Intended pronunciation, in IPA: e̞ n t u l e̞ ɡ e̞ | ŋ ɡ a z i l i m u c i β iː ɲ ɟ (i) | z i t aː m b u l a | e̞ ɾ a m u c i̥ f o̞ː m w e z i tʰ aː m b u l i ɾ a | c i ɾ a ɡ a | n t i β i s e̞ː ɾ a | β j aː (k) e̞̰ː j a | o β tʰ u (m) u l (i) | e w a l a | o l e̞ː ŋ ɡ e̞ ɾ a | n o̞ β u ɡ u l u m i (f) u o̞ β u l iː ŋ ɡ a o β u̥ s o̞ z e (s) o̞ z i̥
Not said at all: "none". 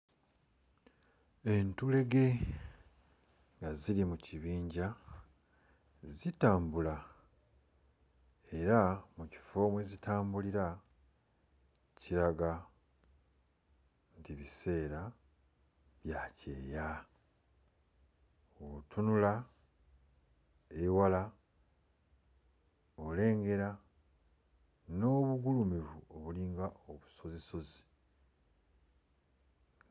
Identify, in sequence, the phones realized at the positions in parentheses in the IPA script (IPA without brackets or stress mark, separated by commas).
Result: a, c, n, a, v, s